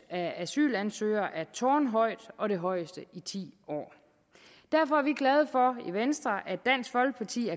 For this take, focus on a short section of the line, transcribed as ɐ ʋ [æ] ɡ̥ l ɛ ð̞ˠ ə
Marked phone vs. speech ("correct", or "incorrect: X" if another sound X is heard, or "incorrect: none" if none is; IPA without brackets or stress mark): incorrect: i